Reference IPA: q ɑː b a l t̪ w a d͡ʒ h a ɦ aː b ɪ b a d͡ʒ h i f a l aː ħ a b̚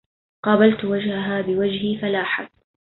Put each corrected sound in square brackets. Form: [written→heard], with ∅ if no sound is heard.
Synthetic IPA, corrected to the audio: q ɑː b a l t̪ w a d͡ʒ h a ɦ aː b ɪ [b→w] a d͡ʒ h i f a l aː ħ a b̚